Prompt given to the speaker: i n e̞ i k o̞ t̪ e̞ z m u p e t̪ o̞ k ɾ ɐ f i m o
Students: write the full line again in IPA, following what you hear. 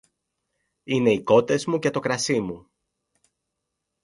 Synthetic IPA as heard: i n e̞ i k o̞ t̪ e̞ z m u c e t̪ o̞ k ɾ ɐ s i m u